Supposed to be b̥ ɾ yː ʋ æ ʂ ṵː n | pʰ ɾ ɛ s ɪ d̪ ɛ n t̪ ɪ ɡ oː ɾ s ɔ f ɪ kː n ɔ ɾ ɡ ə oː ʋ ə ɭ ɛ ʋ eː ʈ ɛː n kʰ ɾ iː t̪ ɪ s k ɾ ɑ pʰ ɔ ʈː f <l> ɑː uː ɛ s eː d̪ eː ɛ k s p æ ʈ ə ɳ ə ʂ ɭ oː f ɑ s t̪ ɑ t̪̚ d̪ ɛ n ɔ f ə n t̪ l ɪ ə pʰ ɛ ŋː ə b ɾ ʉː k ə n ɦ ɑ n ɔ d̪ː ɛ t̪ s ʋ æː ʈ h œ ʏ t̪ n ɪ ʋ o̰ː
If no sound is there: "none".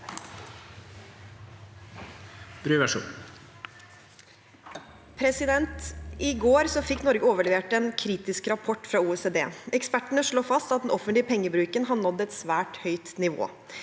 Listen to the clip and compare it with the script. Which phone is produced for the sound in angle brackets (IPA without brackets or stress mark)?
ɾ